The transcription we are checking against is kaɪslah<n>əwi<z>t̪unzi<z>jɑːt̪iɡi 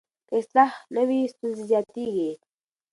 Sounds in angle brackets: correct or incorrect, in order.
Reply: correct, incorrect: s, correct

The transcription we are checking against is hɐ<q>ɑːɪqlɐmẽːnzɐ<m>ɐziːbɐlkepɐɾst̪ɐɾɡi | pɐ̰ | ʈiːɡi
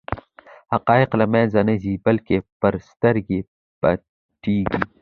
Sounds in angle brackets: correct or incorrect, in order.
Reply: correct, incorrect: n

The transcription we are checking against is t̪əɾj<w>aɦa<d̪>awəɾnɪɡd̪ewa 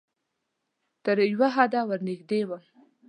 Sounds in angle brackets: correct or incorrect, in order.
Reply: correct, correct

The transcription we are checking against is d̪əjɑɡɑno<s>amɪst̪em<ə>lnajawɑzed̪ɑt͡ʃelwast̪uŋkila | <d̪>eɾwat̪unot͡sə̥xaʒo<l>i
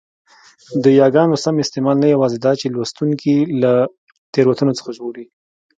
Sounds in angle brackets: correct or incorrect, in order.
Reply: correct, incorrect: ɑ, incorrect: t̪, incorrect: ɽ

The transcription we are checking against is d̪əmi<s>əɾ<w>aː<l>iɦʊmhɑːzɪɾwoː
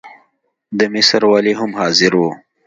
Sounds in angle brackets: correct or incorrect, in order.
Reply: correct, correct, correct

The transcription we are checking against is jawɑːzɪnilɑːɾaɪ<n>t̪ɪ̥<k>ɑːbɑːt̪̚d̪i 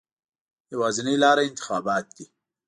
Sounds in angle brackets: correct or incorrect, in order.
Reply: correct, incorrect: x

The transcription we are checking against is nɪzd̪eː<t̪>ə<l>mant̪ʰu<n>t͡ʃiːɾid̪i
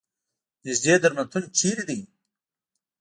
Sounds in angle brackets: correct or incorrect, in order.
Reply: incorrect: d̪, incorrect: ɾ, correct

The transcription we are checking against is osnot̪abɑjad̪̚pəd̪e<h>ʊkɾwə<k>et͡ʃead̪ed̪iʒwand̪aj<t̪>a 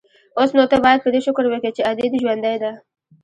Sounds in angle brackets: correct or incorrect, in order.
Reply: incorrect: ʃ, correct, incorrect: d̪

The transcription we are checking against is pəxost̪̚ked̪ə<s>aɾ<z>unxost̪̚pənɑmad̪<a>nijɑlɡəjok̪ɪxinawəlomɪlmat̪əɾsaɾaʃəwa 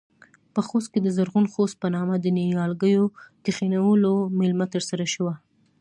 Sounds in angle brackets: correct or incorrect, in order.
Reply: incorrect: z, incorrect: ɣ, incorrect: ə

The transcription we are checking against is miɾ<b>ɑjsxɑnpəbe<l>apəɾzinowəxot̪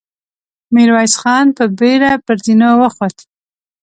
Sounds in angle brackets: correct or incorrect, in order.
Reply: incorrect: w, incorrect: ɾ

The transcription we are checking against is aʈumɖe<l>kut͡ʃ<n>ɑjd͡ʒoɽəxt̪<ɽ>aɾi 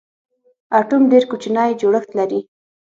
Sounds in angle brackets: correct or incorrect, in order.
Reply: incorrect: ɾ, correct, incorrect: l

